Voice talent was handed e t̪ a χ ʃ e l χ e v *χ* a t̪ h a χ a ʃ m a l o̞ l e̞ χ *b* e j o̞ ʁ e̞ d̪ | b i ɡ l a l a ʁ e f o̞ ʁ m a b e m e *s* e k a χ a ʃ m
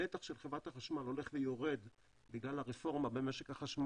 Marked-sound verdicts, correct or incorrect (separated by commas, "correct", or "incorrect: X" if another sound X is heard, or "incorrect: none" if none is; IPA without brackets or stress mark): incorrect: ʁ, incorrect: v, incorrect: ʃ